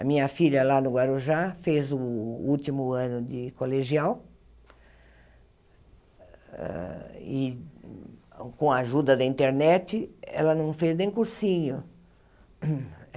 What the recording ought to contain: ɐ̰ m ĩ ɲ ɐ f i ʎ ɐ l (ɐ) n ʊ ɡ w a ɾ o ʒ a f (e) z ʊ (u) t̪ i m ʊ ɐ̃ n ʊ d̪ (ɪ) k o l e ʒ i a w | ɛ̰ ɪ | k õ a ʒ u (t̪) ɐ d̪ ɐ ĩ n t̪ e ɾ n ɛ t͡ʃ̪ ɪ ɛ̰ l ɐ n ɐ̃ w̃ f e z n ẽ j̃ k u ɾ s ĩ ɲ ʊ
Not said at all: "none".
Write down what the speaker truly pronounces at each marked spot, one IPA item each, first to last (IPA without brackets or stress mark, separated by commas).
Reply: a, e, u, ɪ, d̪